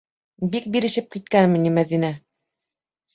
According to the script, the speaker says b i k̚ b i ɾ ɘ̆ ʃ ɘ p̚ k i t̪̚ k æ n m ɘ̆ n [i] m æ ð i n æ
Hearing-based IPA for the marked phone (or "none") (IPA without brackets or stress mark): i